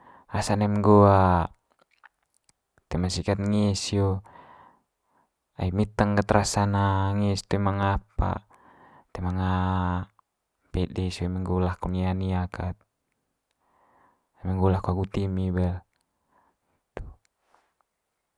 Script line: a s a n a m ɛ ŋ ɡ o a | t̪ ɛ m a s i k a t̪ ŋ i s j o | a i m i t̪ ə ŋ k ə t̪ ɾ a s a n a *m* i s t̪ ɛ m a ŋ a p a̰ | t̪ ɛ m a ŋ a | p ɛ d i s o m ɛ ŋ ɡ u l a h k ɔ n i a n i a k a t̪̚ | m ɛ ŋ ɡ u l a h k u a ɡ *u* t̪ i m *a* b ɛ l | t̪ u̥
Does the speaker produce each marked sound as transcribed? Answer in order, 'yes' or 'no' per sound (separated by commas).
no, yes, no